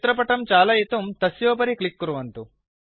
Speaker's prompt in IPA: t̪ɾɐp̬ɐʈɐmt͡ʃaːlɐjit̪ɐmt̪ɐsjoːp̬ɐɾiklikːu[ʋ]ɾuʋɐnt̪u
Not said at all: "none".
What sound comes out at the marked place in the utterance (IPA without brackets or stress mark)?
none